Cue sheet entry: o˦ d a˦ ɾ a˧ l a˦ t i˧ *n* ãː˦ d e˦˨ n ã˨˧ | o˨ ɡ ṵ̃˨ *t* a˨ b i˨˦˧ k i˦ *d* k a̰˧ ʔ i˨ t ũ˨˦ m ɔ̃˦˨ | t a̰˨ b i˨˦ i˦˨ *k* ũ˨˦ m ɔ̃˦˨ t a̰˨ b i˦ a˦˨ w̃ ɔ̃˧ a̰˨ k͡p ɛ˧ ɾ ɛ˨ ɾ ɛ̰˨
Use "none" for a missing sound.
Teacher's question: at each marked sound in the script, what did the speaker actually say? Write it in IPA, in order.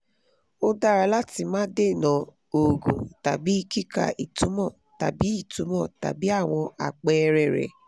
m, t, none, t

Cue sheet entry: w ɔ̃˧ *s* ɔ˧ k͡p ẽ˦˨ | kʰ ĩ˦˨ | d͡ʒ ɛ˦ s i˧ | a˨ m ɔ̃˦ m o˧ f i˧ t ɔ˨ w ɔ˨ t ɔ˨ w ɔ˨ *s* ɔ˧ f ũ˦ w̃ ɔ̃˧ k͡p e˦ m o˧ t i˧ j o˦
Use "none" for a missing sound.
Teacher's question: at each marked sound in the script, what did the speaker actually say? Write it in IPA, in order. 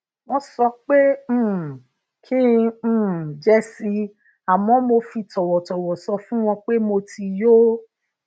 s, s

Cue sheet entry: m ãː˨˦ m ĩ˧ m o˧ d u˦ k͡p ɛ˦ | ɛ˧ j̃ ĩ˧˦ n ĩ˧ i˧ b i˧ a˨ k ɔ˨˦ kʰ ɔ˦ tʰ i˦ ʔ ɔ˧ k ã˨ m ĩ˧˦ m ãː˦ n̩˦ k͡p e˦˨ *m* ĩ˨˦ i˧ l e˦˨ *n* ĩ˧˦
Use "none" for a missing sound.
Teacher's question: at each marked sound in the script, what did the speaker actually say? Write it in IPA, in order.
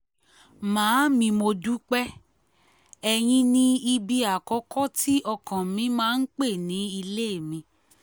n, m

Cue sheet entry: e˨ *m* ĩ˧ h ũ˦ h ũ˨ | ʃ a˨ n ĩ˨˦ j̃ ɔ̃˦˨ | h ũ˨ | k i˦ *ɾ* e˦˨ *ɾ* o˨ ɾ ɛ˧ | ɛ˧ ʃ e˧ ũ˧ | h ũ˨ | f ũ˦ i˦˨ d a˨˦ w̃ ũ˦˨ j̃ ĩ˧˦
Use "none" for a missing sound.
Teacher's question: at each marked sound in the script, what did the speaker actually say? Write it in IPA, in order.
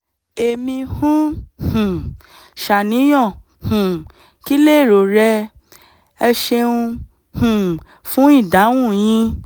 m, l, ɾ

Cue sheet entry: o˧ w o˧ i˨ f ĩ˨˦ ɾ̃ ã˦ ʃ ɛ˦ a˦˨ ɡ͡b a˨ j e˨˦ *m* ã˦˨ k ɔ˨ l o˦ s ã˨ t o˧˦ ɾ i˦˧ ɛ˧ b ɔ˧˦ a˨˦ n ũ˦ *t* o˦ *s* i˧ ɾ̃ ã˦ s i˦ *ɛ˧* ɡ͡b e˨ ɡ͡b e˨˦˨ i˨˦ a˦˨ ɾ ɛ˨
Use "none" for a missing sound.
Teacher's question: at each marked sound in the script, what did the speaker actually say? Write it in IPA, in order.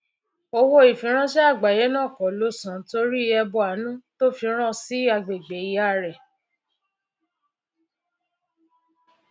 n, t, f, a˧

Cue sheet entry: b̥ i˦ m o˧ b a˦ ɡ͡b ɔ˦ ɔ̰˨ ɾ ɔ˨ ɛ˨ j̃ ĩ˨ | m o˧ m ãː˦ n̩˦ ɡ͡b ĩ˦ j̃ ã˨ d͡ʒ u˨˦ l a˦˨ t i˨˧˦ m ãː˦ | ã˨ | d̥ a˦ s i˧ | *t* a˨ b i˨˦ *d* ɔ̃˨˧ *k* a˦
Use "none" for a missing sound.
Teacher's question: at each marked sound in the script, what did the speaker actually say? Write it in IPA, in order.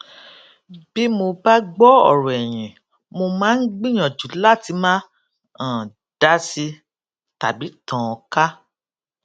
t, t, k

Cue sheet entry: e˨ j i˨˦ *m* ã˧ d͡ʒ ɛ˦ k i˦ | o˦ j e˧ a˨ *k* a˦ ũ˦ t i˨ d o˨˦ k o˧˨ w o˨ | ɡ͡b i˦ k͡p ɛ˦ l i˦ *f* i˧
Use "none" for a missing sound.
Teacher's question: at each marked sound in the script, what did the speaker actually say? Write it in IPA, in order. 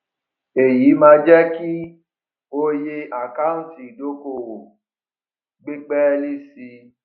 m, k, s

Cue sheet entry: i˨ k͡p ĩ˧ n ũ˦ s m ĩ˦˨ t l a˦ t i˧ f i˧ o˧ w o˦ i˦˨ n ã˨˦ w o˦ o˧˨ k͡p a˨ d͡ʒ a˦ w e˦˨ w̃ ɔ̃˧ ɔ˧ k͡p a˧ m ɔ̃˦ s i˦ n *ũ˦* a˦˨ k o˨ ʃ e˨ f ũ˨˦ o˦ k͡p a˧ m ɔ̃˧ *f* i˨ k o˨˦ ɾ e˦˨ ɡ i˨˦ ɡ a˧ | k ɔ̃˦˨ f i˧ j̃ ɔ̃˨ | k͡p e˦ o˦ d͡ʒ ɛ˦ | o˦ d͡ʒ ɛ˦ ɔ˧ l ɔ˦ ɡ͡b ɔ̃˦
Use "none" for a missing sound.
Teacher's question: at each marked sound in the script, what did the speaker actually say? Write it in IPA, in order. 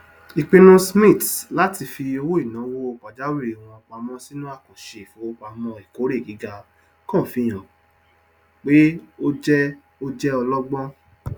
ũ˦, none

